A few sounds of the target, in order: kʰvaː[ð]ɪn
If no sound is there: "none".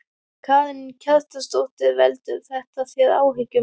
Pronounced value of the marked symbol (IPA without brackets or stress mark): ð